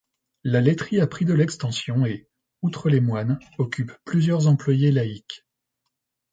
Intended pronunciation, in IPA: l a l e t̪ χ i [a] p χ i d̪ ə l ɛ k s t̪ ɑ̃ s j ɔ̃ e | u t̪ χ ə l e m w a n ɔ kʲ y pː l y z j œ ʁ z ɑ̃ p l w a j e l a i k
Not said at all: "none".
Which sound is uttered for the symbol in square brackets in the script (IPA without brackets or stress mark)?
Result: a